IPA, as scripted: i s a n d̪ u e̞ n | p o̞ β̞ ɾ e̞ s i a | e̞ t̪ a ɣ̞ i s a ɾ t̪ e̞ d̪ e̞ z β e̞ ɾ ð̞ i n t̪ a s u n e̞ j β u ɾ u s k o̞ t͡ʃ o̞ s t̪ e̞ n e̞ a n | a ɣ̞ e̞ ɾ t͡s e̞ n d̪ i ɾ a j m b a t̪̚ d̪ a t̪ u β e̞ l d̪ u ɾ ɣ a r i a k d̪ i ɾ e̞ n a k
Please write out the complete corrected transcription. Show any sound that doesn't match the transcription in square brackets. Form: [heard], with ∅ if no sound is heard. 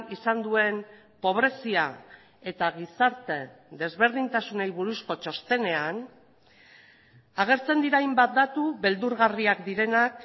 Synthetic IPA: i s a n d̪ u e̞ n | p o̞ β̞ ɾ e̞ s i a | e̞ t̪ a ɣ̞ i s a ɾ t̪ e̞ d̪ e̞ z β e̞ ɾ ð̞ i n t̪ a s u n e̞ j β u ɾ u s k o̞ t͡ʃ o̞ s t̪ e̞ n e̞ a n | a ɣ̞ e̞ ɾ t͡s e̞ n d̪ i ɾ a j m b a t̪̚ d̪ a t̪ u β e̞ l d̪ u ɾ ɣ a r i a k d̪ i ɾ e̞ n a k